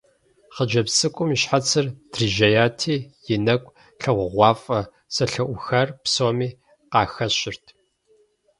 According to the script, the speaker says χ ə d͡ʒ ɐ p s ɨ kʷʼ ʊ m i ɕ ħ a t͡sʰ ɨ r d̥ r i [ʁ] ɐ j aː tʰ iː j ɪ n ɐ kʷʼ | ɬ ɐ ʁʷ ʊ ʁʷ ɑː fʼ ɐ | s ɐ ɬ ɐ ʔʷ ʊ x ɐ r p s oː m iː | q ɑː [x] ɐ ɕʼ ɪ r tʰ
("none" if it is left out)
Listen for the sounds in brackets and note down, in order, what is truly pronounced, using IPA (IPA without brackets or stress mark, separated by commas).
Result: ʒ, x